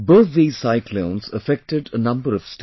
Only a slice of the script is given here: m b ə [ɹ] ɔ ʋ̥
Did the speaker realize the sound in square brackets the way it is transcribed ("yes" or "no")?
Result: no